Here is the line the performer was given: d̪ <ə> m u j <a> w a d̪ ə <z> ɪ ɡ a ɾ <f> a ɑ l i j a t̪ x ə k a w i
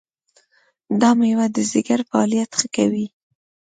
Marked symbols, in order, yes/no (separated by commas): no, yes, yes, yes